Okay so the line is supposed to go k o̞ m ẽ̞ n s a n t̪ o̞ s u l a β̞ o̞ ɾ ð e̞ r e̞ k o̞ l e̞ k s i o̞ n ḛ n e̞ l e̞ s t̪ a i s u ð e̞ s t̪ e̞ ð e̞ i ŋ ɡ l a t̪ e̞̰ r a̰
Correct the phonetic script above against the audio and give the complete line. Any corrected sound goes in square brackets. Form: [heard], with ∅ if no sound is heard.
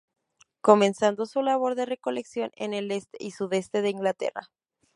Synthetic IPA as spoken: k o̞ m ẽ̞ n s a n [d̪] o̞ s u l a β̞ o̞ ɾ ð e̞ r e̞ k o̞ l e̞ k s [j] o̞ n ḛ n e̞ l e̞ s t̪ [e] i s u ð e̞ s t̪ e̞ ð e̞ i ŋ ɡ l a t̪ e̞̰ r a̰